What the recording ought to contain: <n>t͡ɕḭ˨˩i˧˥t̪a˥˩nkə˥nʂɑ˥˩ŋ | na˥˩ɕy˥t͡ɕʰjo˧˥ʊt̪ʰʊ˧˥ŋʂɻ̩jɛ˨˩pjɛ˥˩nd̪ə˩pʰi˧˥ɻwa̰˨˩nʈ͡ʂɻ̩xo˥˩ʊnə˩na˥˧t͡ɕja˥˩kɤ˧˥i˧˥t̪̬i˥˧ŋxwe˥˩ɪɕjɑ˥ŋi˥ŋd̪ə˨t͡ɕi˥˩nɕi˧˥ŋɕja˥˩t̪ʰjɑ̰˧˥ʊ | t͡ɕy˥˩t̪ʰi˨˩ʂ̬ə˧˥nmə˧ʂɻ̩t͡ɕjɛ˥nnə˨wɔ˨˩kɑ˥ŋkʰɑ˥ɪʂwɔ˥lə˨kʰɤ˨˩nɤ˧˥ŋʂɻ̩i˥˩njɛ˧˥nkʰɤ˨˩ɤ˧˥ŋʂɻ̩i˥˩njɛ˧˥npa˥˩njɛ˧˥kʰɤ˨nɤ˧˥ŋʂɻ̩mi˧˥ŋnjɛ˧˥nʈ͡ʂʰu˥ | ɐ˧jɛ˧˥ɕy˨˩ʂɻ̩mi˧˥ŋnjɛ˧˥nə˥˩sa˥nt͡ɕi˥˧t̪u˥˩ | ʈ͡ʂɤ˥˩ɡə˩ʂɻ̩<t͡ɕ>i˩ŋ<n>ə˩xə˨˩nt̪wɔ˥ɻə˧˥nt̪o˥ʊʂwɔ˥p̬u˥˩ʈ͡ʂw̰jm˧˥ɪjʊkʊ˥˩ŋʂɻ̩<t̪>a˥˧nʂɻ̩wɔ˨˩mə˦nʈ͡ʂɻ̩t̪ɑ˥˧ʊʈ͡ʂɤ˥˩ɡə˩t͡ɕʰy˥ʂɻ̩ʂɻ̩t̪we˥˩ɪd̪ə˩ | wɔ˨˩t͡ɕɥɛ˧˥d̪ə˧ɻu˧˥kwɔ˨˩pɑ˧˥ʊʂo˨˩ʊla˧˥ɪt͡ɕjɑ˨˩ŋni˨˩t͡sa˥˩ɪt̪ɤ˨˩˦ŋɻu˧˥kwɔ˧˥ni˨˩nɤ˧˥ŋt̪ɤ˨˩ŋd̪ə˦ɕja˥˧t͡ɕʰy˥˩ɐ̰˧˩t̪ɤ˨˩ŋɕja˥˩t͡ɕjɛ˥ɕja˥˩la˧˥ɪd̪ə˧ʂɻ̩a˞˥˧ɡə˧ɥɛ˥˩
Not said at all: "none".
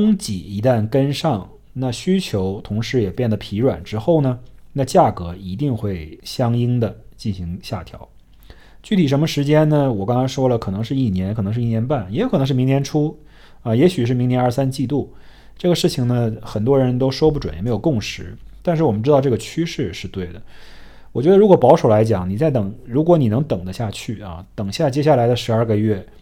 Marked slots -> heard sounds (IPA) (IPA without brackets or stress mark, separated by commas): ŋ, t͡ɕʰ, n, t̪